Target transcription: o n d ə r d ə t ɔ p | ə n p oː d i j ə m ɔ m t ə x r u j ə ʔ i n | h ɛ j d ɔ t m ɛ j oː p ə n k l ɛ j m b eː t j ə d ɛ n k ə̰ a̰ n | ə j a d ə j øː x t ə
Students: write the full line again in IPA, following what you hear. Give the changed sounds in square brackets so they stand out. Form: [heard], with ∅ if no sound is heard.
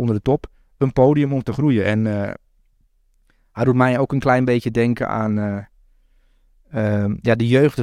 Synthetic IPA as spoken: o n d ə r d ə t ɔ p | ə n p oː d i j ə m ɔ m t ə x r u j ə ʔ [ɛ] n | h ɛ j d [u] t m ɛ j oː [k] ə n k l ɛ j [n] b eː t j ə d ɛ [ŋ] k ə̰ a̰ n | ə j a d ə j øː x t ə